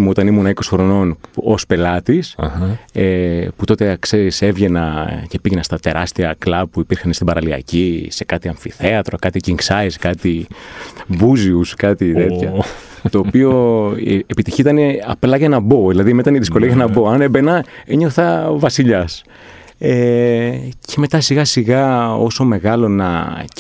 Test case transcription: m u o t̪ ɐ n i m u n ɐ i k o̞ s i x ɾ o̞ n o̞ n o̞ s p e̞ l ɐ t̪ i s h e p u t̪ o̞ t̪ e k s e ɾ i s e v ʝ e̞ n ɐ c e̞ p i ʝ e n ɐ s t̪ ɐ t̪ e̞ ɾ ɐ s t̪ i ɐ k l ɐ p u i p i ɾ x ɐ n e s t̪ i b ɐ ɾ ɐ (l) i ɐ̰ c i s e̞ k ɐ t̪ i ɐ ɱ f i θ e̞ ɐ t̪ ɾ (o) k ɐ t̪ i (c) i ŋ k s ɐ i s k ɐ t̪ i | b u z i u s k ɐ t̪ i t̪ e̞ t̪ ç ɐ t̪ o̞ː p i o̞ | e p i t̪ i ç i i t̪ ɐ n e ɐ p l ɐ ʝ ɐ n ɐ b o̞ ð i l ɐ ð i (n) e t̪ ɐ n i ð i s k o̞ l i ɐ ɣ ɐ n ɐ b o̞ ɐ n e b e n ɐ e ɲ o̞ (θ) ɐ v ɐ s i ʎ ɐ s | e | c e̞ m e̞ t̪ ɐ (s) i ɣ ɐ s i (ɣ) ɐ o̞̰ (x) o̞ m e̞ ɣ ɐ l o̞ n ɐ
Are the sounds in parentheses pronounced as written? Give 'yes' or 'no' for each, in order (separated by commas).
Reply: yes, yes, yes, no, yes, yes, yes, no